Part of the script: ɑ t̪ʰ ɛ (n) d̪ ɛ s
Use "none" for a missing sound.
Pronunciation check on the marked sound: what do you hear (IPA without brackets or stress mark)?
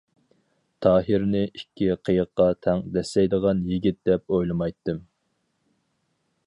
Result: ŋ